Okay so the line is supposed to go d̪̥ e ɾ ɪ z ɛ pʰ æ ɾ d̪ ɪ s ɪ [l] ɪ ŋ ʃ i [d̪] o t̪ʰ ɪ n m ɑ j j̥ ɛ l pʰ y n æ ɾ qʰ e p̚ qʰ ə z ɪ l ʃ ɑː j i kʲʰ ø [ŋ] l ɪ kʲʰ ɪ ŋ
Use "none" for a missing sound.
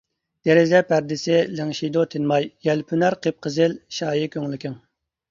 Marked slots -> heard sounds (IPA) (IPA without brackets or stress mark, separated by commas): l, d̪, ŋ